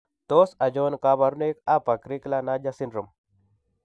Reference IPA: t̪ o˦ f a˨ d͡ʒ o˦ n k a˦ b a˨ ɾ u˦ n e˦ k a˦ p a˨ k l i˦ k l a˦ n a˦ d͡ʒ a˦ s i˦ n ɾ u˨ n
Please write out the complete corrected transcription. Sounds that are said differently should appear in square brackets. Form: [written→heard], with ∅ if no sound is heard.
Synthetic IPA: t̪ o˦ [f→s] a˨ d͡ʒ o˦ n k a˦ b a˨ ɾ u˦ n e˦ k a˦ p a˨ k [l→ɾ] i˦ k l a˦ n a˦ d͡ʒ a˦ s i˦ n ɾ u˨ [n→m]